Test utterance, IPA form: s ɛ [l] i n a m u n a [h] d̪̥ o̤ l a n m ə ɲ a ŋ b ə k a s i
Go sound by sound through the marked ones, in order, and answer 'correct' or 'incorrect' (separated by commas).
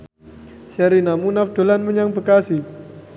incorrect, incorrect